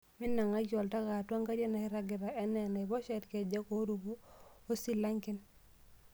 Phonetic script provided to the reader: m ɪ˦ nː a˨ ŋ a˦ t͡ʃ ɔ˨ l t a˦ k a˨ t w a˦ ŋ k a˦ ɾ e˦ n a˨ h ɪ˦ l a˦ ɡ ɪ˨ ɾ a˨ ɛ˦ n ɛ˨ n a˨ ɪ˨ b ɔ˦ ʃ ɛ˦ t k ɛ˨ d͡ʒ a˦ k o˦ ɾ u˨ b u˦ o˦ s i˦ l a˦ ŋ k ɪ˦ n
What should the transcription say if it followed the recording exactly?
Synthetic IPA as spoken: m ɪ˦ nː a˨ ŋ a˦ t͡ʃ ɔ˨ l t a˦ k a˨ t w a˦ ŋ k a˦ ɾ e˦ n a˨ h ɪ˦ ɾ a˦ ɡ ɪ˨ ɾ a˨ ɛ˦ n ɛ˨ n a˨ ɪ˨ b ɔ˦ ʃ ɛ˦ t k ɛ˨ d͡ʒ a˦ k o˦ ɾ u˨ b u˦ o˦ s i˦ l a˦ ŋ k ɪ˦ n